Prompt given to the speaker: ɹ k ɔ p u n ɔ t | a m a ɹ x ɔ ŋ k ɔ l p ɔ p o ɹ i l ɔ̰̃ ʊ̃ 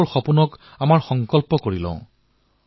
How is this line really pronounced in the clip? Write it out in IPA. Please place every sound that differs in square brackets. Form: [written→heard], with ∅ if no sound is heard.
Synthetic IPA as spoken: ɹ [k→x] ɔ p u n ɔ [t→k] | a m a ɹ x ɔ ŋ k ɔ l p ɔ [p→k] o ɹ i l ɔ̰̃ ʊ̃